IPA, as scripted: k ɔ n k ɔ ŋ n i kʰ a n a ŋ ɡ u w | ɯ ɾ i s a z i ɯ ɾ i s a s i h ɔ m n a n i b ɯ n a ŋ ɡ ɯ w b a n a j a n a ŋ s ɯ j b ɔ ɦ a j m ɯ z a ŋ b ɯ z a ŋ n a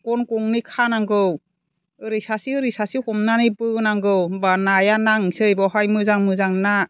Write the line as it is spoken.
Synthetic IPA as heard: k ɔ n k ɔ ŋ n i kʰ a n a ŋ ɡ ɯ w | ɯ ɾ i s a s i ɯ ɾ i s a s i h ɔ m n a n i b ɯ n a ŋ ɡ ɯ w b a n a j a n a ŋ s ɯ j b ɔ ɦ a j m ɯ z a ŋ m ɯ z a ŋ n a